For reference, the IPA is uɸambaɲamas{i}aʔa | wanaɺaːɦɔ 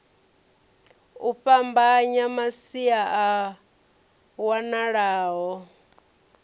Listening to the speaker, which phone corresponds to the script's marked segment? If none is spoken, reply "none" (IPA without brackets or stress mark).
i